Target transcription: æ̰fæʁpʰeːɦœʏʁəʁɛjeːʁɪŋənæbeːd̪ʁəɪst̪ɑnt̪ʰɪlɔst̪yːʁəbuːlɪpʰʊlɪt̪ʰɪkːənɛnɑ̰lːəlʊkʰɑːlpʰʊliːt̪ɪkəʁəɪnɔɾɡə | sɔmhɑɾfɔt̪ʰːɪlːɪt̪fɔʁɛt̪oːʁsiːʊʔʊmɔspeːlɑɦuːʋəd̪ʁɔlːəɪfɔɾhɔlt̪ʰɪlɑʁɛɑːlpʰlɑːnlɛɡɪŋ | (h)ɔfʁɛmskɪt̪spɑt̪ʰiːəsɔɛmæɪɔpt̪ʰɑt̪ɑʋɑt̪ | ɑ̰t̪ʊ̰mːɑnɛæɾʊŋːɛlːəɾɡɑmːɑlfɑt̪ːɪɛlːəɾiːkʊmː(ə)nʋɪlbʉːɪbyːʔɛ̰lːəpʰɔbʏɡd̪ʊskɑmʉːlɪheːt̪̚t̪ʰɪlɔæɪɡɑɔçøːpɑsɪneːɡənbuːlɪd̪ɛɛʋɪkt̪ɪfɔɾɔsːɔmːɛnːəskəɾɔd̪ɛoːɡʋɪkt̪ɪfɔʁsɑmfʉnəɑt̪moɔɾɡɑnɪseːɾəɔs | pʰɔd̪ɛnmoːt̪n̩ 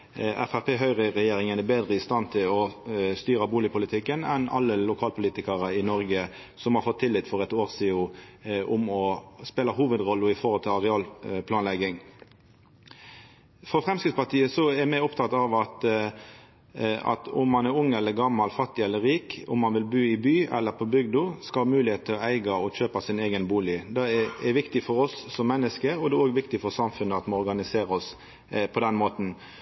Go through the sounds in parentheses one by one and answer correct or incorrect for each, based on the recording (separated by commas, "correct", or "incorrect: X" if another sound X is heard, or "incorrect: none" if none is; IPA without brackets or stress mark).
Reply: incorrect: f, incorrect: ɑ